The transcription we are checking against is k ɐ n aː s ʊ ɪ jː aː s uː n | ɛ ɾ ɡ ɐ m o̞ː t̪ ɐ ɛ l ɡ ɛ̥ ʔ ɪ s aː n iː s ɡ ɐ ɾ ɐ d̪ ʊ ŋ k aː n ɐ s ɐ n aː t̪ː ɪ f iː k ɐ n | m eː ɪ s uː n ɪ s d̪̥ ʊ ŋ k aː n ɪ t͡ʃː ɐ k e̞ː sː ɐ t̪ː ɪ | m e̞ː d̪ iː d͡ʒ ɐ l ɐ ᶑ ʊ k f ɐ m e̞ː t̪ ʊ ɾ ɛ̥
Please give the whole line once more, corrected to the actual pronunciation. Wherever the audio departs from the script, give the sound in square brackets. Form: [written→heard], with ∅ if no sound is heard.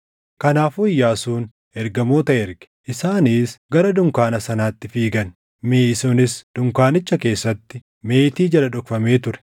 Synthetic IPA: k ɐ n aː [s→f] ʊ ɪ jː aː s uː n | ɛ ɾ ɡ ɐ m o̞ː t̪ ɐ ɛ [l→ɾ] ɡ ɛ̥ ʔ ɪ s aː n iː s ɡ ɐ ɾ ɐ d̪ ʊ ŋ k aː n ɐ s ɐ n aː t̪ː ɪ f iː [k→ɡ] ɐ n | m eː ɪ s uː n ɪ s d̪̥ ʊ ŋ k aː n ɪ t͡ʃː ɐ k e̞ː sː ɐ t̪ː ɪ | m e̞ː [d̪→t̪] iː d͡ʒ ɐ l ɐ ᶑ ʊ k f ɐ m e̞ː t̪ ʊ ɾ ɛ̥